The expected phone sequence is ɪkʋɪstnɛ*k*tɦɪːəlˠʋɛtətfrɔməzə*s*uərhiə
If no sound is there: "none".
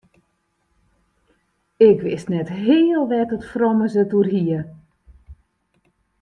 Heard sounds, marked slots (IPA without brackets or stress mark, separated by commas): none, t